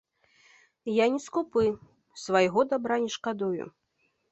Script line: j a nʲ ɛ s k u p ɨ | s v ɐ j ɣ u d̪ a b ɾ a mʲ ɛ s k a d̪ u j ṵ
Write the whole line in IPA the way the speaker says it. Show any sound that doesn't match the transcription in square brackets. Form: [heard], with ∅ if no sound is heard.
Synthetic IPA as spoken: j a nʲ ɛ s k u p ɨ | s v [a] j ɣ [ɔ] d̪ a b ɾ a [nʲ] ɛ [ʂ] k a d̪ u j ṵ